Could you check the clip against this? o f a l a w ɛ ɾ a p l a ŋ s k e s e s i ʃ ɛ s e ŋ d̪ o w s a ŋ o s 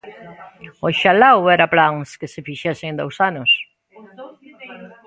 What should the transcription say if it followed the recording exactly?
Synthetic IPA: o ʃ a l a w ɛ ɾ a p l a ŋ s k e s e f i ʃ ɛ s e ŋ d̪ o w s a n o s